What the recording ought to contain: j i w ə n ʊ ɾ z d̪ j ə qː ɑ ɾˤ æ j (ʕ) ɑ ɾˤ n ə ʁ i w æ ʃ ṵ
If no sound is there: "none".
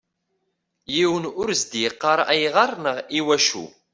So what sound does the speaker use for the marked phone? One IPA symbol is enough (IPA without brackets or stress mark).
ʁ